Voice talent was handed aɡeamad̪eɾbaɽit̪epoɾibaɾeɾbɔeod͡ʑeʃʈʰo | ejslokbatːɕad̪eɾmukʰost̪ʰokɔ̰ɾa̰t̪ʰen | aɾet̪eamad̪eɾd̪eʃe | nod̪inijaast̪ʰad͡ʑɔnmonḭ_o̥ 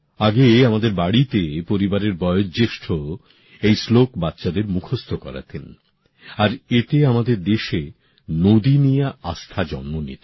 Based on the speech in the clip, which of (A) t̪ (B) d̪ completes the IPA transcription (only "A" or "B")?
A